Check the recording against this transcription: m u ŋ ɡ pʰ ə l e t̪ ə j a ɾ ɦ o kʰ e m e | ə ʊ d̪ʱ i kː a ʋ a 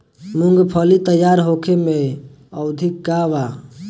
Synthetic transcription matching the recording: m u ŋ ɡ pʰ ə l i t̪ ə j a ɾ ɦ o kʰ e m e | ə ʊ d̪ʱ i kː a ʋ a